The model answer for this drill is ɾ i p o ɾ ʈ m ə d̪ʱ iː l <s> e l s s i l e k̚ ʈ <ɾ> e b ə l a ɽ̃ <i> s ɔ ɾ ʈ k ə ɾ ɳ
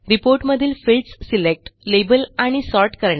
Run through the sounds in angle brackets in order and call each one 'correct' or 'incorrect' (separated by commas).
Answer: incorrect, incorrect, correct